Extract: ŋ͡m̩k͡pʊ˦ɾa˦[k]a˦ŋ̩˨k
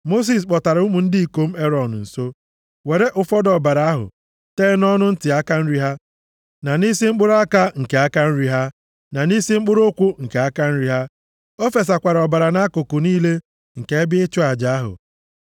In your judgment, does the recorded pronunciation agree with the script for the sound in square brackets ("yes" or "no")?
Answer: yes